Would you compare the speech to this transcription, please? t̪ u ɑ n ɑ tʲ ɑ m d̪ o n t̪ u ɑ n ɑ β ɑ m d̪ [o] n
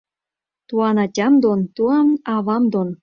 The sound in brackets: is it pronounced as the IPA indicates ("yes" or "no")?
yes